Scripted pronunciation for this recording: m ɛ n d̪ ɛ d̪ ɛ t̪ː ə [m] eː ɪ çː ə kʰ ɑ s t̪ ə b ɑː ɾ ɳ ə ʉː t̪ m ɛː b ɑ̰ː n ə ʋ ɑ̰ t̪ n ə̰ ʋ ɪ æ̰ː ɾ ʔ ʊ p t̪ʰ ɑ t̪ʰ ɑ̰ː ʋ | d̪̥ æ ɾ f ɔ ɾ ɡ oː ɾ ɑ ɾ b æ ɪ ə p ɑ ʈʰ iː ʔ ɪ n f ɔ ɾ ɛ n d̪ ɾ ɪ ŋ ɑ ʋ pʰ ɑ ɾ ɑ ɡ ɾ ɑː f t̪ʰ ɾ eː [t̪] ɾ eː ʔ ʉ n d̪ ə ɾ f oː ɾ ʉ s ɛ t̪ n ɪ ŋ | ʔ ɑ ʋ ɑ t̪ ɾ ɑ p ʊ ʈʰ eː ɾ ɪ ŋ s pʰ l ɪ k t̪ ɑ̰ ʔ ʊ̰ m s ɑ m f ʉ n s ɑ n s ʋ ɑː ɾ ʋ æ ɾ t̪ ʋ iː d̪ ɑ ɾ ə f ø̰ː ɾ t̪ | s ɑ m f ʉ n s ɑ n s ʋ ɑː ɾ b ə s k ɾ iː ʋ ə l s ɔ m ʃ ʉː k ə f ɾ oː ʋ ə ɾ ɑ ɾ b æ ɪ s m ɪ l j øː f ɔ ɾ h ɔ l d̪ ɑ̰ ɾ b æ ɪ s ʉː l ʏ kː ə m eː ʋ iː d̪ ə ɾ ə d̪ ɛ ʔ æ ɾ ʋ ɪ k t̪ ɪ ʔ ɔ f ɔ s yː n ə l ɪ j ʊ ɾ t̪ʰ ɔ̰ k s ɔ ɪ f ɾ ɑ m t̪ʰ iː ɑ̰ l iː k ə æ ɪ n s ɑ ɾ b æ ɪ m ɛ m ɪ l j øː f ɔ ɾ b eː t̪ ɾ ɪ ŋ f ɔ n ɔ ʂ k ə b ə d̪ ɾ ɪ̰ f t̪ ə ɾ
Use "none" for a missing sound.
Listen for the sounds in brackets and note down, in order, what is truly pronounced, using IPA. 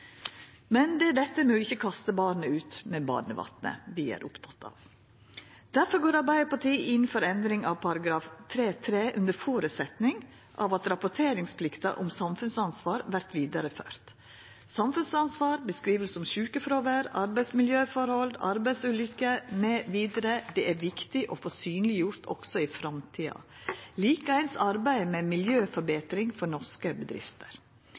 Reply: m, t̪ʰ

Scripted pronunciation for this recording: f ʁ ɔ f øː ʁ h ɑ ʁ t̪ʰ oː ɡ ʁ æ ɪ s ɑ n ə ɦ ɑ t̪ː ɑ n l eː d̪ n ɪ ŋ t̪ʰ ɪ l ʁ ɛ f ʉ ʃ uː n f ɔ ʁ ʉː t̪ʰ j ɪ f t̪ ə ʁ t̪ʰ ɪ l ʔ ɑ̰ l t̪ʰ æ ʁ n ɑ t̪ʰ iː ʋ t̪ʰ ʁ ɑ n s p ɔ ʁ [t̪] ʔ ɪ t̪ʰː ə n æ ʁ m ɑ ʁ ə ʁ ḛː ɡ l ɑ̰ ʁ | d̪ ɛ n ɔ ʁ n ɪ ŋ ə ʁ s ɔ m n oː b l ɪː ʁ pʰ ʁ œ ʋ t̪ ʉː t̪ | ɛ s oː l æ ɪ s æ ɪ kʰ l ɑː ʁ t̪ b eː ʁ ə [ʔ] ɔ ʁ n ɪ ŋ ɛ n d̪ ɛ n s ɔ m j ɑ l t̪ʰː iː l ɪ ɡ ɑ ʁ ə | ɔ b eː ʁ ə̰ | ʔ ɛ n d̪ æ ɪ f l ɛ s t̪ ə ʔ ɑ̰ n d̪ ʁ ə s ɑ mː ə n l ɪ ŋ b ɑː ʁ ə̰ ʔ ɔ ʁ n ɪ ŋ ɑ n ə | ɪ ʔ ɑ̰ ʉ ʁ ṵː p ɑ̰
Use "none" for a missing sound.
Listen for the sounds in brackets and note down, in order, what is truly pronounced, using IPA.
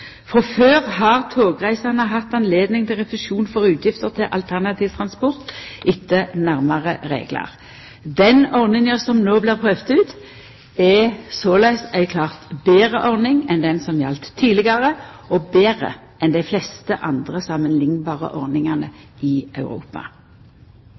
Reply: t̪, ʔ

